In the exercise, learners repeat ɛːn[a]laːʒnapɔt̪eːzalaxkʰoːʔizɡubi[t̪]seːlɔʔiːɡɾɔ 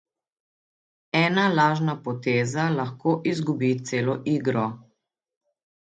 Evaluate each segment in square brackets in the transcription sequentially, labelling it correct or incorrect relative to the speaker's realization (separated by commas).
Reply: correct, correct